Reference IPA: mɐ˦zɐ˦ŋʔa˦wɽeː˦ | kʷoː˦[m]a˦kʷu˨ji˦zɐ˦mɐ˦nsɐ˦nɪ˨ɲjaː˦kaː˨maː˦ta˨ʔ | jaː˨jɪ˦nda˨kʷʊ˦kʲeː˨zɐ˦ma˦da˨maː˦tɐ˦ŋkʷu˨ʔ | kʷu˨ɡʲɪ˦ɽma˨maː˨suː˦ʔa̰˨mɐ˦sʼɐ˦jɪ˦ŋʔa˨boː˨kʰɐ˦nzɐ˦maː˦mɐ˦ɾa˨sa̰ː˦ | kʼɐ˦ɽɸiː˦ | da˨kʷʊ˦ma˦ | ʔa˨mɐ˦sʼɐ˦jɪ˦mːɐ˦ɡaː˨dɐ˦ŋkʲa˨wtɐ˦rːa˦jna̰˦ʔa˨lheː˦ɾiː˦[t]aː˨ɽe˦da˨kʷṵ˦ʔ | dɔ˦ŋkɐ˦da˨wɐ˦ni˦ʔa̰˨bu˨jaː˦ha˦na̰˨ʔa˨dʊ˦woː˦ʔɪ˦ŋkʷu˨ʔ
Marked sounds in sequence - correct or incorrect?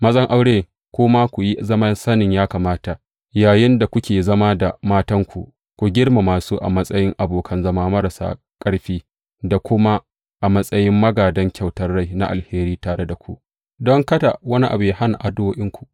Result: correct, correct

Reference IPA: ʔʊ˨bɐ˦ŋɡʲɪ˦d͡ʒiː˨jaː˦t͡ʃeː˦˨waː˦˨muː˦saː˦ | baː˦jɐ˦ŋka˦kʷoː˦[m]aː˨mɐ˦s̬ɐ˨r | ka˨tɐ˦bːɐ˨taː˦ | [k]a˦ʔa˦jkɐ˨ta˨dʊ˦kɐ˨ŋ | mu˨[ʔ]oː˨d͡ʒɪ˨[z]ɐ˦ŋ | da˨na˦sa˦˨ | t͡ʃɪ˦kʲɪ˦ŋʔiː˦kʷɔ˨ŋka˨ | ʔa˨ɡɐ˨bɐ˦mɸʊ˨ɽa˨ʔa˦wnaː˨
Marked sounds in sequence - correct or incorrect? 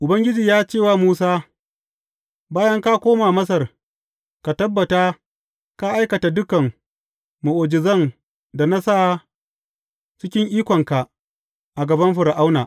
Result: correct, correct, correct, correct

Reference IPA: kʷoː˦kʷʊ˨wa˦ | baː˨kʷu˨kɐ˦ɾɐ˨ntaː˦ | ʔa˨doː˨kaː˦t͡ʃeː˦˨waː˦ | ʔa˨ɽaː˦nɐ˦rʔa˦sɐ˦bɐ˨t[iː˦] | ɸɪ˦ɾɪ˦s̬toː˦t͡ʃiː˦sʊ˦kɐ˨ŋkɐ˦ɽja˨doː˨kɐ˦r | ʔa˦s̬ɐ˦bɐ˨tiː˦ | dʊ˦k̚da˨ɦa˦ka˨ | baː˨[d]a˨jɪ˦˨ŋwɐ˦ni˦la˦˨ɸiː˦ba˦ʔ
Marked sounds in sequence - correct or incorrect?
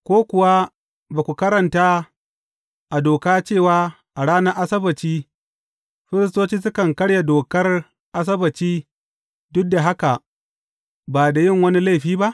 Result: correct, correct

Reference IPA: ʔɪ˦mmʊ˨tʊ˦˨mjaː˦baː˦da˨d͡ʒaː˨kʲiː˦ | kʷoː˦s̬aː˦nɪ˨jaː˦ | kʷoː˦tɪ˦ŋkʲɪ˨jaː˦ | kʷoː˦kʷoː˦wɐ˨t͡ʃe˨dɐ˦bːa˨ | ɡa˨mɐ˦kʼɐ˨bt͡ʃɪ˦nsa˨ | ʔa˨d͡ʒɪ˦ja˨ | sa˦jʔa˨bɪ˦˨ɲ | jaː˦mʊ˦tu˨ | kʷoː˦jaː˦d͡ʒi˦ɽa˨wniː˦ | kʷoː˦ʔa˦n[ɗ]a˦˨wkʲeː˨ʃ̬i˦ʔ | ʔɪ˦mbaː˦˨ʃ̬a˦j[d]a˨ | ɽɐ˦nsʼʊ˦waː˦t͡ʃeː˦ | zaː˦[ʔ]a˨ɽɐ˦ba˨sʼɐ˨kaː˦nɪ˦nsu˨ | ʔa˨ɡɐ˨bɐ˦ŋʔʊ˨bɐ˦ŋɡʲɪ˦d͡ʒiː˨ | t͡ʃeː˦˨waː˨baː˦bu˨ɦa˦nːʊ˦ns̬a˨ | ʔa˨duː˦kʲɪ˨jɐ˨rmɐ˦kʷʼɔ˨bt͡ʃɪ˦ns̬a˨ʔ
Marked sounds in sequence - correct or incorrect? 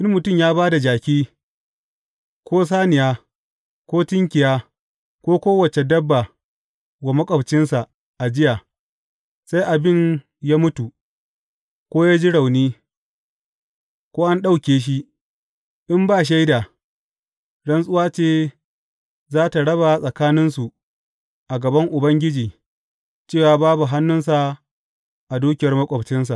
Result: correct, correct, incorrect

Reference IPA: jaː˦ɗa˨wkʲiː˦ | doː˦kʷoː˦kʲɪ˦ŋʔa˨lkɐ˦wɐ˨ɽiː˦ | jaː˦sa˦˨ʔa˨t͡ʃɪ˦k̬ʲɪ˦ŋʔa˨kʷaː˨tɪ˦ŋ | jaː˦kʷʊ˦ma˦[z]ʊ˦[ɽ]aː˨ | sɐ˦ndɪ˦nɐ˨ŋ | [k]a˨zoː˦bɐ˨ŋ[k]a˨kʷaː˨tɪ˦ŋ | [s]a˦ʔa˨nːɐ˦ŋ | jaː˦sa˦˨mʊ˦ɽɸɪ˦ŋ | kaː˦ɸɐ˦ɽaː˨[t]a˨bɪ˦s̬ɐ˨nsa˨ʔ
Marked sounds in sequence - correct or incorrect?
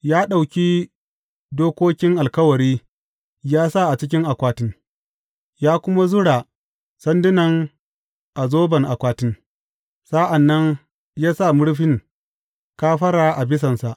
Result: correct, correct, incorrect, incorrect, correct, incorrect

